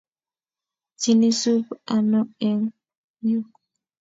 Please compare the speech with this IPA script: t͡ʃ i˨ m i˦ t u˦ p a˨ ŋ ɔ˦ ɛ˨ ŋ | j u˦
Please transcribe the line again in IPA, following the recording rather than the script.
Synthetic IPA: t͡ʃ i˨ n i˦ s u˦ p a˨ n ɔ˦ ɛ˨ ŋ | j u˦